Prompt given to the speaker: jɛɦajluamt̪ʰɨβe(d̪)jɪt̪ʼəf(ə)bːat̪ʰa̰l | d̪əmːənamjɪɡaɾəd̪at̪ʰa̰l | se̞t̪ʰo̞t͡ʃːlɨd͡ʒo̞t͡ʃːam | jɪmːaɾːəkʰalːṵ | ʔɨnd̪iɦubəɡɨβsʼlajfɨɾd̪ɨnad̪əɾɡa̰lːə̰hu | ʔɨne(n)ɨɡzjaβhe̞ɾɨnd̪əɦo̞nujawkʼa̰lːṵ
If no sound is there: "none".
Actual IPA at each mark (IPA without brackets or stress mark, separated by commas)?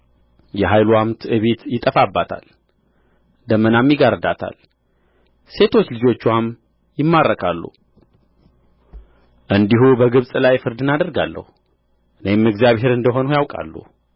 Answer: t̪, a, m